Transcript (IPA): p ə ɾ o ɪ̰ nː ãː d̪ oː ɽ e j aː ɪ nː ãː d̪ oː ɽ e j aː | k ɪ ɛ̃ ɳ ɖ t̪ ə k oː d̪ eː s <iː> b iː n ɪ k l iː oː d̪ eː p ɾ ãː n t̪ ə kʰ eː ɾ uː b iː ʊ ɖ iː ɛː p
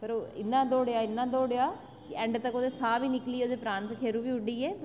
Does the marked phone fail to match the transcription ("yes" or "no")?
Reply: yes